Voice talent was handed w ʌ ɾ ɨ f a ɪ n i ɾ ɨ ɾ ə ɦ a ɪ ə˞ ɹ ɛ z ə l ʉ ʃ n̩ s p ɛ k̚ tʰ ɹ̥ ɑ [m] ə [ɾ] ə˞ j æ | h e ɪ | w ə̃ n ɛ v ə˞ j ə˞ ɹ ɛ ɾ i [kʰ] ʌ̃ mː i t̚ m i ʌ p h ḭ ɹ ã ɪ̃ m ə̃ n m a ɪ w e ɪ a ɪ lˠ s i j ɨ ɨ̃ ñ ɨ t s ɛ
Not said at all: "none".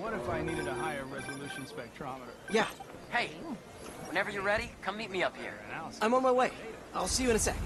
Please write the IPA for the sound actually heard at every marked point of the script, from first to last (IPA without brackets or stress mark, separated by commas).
m, ɾ, kʰ